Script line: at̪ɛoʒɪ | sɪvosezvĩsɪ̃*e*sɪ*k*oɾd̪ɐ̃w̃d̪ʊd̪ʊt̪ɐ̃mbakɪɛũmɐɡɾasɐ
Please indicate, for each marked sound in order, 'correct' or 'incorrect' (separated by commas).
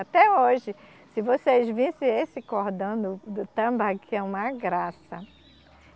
correct, correct